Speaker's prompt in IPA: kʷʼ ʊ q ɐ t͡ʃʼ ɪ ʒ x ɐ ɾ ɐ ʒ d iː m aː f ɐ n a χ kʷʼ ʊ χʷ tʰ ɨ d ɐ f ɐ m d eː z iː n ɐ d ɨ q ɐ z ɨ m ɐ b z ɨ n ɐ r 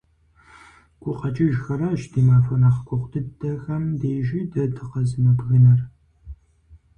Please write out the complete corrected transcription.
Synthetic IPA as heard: kʷʼ ʊ q ɐ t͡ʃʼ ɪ ʒ x ɐ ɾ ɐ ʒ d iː m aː f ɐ n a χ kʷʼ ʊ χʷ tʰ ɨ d ɐ x ɐ m d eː ʒ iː d ɐ d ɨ q ɐ z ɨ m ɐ b ɣ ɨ n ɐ r